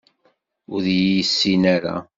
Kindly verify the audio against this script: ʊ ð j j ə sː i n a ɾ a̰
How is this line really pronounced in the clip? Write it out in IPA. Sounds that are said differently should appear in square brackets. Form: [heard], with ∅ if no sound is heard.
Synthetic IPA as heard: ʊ ð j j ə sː i n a ɾ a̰

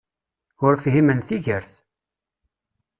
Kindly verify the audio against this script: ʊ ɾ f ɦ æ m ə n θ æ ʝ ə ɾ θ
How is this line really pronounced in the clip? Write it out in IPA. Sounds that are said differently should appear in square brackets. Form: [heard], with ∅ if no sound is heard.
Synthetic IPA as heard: ʊ ɾ f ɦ [i] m ə n θ [i] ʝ ə ɾ θ

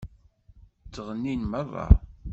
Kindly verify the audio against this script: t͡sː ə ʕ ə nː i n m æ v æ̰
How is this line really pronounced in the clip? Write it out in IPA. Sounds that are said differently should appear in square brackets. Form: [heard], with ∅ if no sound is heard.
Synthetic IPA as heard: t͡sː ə [ʁ] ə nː i n m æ v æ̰

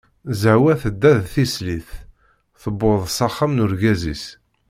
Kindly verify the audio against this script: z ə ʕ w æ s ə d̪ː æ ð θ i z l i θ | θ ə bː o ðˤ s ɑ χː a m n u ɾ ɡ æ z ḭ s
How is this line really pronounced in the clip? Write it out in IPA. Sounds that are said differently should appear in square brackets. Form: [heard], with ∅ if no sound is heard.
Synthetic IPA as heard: z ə ʕ w æ [θ] ə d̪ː æ ð θ i [s] l i θ | θ ə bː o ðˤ s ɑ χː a m n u ɾ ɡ æ z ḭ s

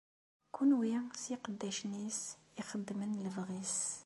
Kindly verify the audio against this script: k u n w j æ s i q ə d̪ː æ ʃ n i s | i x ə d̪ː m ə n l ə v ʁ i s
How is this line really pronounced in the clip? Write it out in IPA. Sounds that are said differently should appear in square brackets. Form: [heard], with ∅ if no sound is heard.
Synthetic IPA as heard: k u n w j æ s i q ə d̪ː æ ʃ n i s | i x ə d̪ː m ə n l ə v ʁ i s

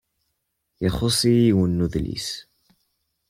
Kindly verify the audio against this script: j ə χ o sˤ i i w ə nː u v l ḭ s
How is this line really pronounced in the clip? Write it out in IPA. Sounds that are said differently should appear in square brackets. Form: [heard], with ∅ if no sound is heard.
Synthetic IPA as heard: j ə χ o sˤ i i w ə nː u [ð] l ḭ s

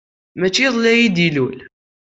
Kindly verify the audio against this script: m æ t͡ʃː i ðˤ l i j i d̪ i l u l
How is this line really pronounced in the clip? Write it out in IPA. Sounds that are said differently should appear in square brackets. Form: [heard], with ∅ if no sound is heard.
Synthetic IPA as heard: m æ t͡ʃː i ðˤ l [æ] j i d̪ i l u l

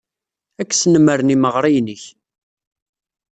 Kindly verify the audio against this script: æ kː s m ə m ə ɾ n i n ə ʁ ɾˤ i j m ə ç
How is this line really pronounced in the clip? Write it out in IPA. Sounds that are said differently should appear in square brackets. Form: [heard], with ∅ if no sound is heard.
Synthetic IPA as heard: æ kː s [n] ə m ə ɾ n i [m] ə ʁ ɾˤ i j [n] ə ç

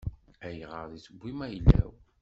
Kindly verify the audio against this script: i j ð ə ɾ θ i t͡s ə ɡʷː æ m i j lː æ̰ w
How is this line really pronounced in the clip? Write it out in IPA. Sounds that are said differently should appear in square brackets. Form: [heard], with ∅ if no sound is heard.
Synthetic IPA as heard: [æ] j [ʁ] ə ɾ [ð] i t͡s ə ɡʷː [i] m [æ] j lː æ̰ w

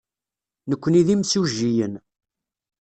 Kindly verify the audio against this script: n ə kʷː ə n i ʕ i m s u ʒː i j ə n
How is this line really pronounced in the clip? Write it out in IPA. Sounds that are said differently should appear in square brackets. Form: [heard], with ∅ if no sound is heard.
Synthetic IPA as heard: n ə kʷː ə n i [ð] i m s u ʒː i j ə n

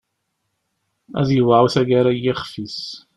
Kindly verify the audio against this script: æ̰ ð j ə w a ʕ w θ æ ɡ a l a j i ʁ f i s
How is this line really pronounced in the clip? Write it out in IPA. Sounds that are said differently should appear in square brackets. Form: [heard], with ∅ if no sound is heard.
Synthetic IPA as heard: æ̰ ð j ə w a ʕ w θ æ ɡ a [ɾ] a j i [χ] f i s

